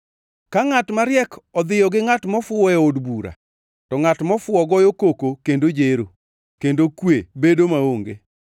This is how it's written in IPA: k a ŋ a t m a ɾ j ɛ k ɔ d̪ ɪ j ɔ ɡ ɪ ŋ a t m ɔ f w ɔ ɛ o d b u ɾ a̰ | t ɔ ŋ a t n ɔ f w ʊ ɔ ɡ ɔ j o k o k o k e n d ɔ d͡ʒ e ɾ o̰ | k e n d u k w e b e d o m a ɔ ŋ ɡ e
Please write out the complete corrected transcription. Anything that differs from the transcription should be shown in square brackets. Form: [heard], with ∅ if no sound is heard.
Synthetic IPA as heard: k a ŋ a t m a ɾ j ɛ k ɔ d̪ ɪ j ɔ ɡ ɪ ŋ a t m ɔ f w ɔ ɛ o d b u ɾ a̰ | t ɔ ŋ a t [m] ɔ f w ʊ ɔ ɡ ɔ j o k o k o k e n d [o] d͡ʒ e ɾ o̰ | k e n d [o] k w e b e d o m a [o] ŋ ɡ e